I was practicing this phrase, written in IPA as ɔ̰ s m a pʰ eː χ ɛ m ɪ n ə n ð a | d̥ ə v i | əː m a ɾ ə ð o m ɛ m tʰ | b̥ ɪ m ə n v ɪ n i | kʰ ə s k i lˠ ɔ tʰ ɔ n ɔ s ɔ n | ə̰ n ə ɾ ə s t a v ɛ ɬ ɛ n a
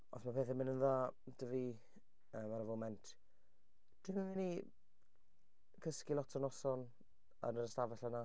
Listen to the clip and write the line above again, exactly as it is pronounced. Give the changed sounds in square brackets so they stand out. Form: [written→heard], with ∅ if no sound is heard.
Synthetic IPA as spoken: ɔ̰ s m a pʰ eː [χ→θ] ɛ m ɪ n ə n ð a | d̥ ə v i | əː m a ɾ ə [ð→v] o m ɛ [m→n] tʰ | [b̥→d̥] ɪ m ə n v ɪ n i | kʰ ə s k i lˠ ɔ tʰ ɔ n ɔ s ɔ n | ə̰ n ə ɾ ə s t a v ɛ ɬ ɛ n a